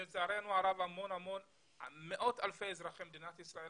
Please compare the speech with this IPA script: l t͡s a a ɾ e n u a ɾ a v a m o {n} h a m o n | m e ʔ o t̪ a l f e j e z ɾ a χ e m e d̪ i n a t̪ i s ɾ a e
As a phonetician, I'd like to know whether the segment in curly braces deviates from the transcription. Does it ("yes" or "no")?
no